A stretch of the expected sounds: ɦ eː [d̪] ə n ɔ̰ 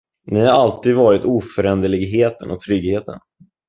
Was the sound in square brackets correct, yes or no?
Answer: no